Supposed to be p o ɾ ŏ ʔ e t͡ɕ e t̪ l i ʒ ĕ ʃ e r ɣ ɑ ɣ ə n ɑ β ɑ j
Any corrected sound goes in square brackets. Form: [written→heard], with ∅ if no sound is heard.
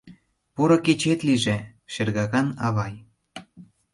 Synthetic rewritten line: p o ɾ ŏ [ʔ→k] e t͡ɕ e t̪ l i ʒ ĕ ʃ e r ɣ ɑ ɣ [ə→ɑ] n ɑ β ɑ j